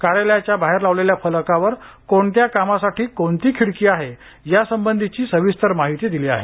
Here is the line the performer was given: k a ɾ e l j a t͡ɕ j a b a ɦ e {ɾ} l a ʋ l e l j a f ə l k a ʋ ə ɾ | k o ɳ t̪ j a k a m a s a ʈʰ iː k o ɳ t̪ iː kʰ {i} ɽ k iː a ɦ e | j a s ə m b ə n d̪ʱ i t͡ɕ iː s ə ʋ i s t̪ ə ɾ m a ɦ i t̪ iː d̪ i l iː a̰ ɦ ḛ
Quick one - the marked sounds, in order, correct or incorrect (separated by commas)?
correct, correct